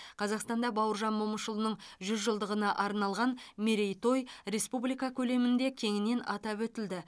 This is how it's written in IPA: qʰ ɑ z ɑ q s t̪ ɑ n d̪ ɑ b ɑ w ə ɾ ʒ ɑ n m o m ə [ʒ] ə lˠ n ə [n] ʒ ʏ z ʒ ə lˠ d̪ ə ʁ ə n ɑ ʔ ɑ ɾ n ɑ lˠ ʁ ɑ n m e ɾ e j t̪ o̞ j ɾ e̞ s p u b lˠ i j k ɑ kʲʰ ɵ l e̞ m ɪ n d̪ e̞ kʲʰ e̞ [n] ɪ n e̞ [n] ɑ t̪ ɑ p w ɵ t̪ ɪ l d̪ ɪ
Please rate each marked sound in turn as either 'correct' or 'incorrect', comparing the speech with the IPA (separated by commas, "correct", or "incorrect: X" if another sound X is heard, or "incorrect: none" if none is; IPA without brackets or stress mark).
incorrect: ʃ, incorrect: ɴ, incorrect: ŋ, correct